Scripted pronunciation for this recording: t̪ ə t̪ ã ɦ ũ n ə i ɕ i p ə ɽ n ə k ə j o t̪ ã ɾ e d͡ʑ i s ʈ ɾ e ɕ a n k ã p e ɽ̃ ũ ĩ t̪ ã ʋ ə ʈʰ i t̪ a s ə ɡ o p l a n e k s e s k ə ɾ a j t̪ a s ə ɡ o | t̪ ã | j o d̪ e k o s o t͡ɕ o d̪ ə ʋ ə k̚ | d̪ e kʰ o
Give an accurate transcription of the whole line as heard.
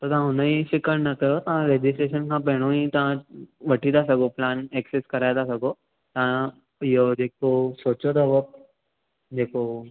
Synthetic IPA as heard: t̪ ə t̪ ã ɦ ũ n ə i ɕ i k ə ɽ n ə k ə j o t̪ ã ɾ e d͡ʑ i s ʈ ɾ e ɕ ə n k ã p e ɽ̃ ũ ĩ t̪ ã ʋ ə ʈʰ i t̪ a s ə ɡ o p l a n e k s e s k ə ɾ a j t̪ a s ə ɡ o | t̪ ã | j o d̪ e k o s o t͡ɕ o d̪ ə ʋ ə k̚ | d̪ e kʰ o